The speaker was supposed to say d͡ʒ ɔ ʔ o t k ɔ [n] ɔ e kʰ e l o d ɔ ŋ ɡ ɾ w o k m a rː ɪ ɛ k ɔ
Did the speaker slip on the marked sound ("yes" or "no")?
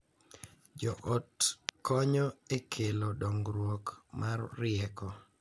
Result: yes